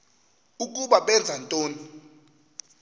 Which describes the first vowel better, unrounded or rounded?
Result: rounded